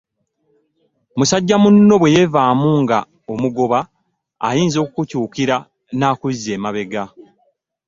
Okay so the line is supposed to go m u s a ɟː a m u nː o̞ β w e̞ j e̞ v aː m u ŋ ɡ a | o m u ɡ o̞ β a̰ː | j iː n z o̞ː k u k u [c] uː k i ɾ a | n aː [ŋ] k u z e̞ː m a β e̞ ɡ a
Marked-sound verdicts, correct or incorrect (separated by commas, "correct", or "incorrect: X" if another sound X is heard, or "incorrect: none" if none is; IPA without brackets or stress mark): correct, incorrect: none